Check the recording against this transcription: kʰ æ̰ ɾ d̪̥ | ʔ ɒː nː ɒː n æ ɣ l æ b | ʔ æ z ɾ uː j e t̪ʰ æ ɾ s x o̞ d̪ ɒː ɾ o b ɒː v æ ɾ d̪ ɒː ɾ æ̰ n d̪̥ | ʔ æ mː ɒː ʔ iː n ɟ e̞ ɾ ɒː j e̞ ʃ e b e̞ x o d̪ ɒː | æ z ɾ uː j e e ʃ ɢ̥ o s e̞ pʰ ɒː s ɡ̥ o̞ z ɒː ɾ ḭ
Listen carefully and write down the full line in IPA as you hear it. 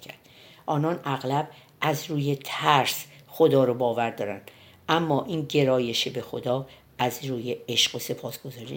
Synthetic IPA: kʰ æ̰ ɾ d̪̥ | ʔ ɒː n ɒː n æ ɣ l æ b | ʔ æ z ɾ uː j e t̪ʰ æ ɾ s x o̞ d̪ ɒː ɾ o b ɒː v æ ɾ d̪ ɒː ɾ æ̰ n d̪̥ | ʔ æ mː ɒː ʔ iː n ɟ e̞ ɾ ɒː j e̞ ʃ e b e̞ x o d̪ ɒː | æ z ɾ uː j e e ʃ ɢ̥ o s e̞ pʰ ɒː s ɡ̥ o̞ z ɒː ɾ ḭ